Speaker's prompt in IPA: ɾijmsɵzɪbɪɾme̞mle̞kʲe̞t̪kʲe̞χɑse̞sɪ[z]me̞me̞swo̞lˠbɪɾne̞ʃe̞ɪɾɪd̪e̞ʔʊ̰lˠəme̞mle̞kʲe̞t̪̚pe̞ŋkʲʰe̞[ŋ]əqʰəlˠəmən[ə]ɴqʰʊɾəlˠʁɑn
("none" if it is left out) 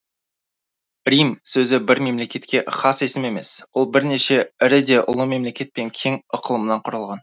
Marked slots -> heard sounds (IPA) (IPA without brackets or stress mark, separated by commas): none, ŋ, ɑ